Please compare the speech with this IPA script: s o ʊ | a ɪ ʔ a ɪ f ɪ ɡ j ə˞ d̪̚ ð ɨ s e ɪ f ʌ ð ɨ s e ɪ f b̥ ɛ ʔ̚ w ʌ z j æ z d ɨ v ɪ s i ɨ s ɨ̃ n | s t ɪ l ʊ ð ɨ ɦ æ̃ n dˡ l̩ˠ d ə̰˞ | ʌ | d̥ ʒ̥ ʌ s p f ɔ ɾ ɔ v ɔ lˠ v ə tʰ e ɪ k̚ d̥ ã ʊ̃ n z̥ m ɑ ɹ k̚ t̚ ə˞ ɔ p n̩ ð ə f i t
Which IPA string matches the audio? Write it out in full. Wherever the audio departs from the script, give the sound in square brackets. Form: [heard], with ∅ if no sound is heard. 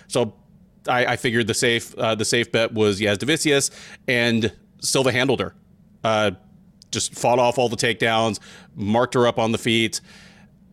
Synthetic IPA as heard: s o ʊ | a ɪ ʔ a ɪ f ɪ ɡ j ə˞ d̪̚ ð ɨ s e ɪ f ʌ ð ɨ s e ɪ f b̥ ɛ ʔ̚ w ʌ z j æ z d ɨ v ɪ s i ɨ s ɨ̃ n | s t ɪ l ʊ ð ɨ ɦ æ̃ n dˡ l̩ˠ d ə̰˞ | ʌ | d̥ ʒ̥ ʌ s [t] f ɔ ɾ ɔ [f] ɔ lˠ [ð] ə tʰ e ɪ k̚ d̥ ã ʊ̃ n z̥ m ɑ ɹ k̚ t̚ ə˞ [ʌ] p n̩ ð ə f i t